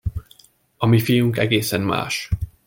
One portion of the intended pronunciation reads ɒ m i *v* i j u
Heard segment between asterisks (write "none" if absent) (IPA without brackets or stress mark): f